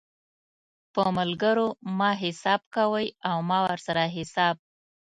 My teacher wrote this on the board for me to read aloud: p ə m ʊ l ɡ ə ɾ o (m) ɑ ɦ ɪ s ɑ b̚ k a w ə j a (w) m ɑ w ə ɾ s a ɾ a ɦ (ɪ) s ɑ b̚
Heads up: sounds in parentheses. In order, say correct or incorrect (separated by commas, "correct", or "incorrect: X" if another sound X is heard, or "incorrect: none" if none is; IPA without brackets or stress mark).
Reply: correct, correct, correct